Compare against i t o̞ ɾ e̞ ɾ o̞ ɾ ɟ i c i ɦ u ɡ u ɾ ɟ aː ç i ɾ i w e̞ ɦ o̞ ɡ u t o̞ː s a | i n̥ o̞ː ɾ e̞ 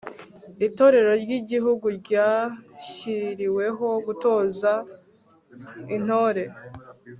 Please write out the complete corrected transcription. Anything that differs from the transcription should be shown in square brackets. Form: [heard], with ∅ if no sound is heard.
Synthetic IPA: i t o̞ ɾ e̞ ɾ o̞ ɾ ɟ i [ɟ] i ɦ u ɡ u ɾ ɟ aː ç i ɾ i w e̞ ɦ o̞ ɡ u t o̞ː [z] a | i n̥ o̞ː ɾ e̞